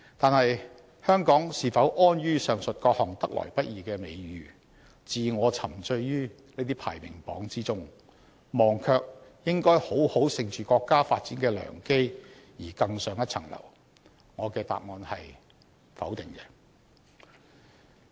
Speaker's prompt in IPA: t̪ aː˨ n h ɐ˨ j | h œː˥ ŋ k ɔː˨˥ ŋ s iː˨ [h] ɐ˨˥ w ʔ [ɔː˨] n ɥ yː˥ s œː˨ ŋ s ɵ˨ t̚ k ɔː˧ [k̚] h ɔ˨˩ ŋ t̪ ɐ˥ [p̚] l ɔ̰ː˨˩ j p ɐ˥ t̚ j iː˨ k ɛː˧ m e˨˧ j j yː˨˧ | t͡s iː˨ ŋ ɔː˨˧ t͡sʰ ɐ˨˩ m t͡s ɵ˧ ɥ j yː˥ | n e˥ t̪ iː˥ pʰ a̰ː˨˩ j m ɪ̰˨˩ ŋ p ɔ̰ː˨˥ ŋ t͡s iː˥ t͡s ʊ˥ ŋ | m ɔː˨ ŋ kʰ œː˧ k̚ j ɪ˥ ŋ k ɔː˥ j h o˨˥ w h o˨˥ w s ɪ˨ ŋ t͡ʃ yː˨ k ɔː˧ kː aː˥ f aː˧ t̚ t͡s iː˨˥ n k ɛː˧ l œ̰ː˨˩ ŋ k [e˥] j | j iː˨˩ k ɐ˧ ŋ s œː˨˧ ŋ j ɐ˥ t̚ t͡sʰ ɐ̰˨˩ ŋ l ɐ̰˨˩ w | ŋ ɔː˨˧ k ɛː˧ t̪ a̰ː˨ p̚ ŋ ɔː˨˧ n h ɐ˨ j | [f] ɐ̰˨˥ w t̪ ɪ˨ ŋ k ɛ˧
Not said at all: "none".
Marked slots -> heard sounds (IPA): f, ɔː˥, k̚, k̚, e˥, f

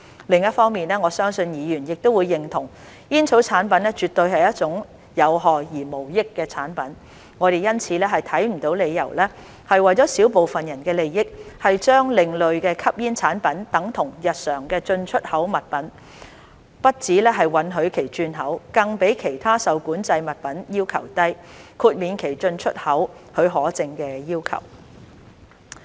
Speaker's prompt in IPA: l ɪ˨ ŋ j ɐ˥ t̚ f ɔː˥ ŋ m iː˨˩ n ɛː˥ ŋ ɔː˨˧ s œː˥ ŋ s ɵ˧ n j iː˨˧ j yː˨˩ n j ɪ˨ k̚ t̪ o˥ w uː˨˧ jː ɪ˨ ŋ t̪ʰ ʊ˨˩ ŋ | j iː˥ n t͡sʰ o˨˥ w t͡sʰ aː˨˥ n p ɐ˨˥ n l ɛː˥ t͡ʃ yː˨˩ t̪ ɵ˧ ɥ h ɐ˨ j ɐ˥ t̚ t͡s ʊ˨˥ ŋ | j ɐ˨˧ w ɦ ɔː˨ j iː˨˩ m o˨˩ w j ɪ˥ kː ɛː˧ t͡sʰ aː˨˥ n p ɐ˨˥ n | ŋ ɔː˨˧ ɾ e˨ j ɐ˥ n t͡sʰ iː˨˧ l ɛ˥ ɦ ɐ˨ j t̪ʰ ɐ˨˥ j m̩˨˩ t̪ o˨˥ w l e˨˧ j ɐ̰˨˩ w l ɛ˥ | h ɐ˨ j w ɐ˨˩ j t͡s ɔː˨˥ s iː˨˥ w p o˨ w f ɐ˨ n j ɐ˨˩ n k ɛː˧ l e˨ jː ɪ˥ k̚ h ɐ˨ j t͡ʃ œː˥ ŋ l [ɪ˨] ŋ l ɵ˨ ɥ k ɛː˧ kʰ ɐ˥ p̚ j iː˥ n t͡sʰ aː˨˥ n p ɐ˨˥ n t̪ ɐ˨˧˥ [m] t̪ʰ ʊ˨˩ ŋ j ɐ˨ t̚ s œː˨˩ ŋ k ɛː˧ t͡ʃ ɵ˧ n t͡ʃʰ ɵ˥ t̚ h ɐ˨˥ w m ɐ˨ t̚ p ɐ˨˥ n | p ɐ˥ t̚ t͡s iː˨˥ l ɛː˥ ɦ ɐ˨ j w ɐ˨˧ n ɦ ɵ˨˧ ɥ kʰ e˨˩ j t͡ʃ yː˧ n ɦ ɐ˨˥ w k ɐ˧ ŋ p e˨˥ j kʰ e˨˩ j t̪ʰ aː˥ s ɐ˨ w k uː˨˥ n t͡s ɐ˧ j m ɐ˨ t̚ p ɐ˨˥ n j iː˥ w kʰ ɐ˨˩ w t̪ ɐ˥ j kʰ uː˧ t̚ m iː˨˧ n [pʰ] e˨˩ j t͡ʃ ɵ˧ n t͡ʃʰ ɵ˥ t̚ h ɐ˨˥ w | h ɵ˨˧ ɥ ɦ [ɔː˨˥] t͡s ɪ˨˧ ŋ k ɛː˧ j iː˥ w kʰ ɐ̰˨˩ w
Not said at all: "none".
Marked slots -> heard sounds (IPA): ɪ˨, ŋ, kʰ, ɔː˨˥

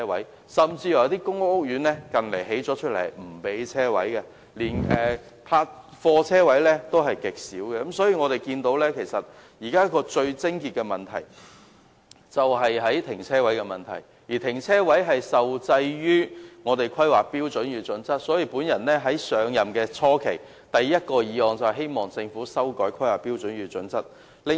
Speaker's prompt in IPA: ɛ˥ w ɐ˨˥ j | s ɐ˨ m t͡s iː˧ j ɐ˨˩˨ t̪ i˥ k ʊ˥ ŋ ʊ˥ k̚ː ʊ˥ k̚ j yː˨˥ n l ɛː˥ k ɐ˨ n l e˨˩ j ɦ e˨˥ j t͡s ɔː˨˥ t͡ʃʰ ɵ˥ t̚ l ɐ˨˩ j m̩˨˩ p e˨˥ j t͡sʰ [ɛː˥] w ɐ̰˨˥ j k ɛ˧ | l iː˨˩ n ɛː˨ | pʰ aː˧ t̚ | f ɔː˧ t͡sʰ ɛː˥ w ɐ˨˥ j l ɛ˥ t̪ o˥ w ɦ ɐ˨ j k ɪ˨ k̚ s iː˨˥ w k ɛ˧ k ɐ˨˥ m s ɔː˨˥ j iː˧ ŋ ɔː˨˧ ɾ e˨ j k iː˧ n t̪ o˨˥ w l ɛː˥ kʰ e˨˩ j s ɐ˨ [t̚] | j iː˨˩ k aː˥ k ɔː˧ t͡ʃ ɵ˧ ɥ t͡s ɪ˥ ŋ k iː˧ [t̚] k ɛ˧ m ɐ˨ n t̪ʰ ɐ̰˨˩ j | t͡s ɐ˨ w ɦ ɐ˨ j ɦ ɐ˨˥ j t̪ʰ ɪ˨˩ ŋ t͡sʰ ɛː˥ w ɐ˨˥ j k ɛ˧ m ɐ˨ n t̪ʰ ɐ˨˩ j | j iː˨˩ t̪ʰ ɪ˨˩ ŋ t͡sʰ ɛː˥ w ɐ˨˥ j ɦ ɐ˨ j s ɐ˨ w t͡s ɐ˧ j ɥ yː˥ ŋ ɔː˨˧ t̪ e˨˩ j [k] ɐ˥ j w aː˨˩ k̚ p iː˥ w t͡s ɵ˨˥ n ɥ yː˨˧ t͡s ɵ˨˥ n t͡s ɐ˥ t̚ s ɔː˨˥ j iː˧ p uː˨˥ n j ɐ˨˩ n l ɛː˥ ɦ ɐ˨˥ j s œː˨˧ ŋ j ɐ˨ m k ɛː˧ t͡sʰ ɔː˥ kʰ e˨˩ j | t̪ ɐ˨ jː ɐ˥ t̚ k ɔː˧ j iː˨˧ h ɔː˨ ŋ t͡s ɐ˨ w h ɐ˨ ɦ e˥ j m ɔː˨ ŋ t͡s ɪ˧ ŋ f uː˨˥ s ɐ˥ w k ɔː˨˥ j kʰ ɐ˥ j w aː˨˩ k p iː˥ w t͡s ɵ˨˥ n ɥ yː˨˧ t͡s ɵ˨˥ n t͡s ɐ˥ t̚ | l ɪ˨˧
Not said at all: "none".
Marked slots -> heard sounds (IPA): ɛː˥, t̚, t̚, kʰ

